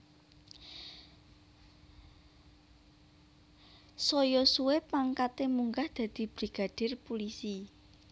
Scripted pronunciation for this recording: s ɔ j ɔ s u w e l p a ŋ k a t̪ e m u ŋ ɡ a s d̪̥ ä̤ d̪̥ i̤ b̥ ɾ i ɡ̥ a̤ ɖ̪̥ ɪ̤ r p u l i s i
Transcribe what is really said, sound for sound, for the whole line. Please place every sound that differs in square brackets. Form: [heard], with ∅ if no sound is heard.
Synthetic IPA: s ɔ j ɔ s u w e [∅] p a ŋ k a t̪ e m u ŋ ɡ a [h] d̪̥ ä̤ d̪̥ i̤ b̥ ɾ i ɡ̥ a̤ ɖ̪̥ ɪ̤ r p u l i s i